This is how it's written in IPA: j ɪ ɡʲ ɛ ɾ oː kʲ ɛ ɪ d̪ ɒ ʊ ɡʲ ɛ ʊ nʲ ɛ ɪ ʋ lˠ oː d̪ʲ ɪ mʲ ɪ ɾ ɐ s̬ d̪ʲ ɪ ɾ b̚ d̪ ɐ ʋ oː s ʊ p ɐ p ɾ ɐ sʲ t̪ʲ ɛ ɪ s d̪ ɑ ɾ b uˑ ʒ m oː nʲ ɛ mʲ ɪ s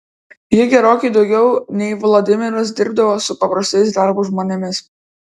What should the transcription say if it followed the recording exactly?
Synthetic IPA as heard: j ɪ ɡʲ ɛ ɾ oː kʲ ɛ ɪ d̪ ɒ ʊ ɡʲ ɛ ʊ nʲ ɛ ɪ ʋ lˠ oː d̪ʲ ɪ mʲ ɪ ɾ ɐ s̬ d̪ʲ ɪ ɾ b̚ d̪ ɐ ʋ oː s ʊ p ɐ p ɾ ɐ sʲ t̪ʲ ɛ ɪ s d̪ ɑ ɾ b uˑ ʒ m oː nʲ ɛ mʲ ɪ s